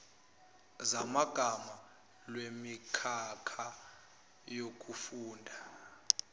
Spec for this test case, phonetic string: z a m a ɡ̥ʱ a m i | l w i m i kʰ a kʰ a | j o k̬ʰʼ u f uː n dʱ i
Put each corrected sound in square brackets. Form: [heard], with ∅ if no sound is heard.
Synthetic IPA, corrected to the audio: z a m a ɡ̥ʱ a m [a] | l w [e] m i kʰ a kʰ a | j o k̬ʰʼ u f uː n dʱ [a]